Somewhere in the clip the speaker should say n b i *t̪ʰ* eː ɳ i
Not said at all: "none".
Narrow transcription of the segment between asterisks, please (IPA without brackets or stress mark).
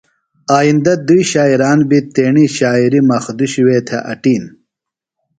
t̪